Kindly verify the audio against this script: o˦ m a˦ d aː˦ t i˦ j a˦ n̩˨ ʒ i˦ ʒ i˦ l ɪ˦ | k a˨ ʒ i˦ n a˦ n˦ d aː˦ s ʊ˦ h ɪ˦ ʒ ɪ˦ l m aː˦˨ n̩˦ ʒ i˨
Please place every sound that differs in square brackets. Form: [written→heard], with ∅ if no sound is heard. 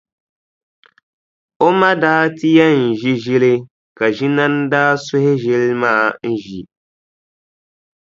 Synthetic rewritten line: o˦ m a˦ d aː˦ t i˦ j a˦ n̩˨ ʒ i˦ ʒ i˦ l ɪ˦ | k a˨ ʒ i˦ n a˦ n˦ d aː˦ s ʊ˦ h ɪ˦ ʒ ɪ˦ l m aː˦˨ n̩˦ ʒ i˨

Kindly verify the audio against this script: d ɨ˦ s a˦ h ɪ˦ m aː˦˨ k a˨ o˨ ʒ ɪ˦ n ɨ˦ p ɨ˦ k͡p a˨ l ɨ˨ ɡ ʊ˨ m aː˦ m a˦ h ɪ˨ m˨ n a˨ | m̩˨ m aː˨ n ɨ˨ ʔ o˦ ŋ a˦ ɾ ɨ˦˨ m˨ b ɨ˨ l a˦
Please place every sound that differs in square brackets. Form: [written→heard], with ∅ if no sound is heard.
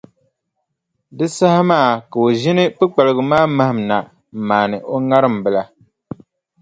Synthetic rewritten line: d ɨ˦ s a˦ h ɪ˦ m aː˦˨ k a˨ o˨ ʒ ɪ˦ n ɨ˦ p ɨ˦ k͡p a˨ l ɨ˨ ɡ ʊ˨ m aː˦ m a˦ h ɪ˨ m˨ n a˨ | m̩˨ m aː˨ n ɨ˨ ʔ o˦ ŋ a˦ ɾ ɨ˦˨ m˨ b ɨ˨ l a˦

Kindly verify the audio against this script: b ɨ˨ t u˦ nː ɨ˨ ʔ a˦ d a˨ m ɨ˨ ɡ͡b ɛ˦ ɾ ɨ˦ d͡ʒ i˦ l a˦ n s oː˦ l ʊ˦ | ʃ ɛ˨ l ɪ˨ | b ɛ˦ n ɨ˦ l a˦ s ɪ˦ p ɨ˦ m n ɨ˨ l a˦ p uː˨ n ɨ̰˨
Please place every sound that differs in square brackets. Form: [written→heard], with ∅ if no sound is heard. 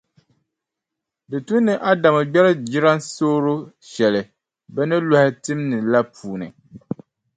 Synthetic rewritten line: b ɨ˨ t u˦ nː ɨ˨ ʔ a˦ d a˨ m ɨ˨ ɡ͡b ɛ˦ ɾ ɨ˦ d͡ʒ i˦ [l→ɾ] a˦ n s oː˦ [l→ɾ] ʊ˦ | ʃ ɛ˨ l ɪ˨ | b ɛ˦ n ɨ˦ l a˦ [s→h] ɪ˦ [p→t] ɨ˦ m n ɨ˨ l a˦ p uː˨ n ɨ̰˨

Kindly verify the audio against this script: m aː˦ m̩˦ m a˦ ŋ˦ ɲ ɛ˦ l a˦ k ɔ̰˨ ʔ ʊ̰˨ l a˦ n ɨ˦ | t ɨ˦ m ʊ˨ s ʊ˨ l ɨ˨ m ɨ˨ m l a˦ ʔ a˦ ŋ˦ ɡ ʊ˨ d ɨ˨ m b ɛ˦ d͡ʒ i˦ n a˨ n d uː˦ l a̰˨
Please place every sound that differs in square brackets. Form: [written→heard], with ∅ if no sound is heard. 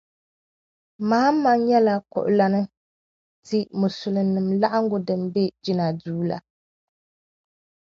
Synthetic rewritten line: m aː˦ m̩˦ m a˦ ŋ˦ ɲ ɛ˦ l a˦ k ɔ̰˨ ʔ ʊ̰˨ l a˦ n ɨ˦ | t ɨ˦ m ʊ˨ s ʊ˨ l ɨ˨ [m→n] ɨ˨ m l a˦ ʔ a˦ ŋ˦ ɡ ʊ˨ d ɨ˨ m b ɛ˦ d͡ʒ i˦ n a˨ [n→∅] d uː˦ l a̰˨

